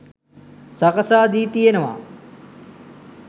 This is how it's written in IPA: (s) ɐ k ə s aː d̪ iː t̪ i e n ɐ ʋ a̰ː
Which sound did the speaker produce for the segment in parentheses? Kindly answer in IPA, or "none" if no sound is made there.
s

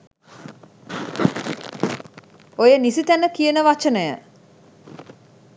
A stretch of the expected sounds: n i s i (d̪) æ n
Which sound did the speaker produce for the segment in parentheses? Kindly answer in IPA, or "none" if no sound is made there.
t̪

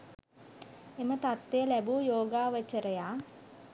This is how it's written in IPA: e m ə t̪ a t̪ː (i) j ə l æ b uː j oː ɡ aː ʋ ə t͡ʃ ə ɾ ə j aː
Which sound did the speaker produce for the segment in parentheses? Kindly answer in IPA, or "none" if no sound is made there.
e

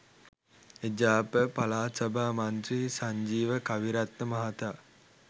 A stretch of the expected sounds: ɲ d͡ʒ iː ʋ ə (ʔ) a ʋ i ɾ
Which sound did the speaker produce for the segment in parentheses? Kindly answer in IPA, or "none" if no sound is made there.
k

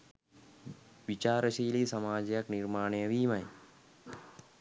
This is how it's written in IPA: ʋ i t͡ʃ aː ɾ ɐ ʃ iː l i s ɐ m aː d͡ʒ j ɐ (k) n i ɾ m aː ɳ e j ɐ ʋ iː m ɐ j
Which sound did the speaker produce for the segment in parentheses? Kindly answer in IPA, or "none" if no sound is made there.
k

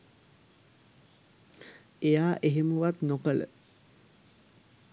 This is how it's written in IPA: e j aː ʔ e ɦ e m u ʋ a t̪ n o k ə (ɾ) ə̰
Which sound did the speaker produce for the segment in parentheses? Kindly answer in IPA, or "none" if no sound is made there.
l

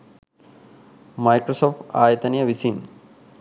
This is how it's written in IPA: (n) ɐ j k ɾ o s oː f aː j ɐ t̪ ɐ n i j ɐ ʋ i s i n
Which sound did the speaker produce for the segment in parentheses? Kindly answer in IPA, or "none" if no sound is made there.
m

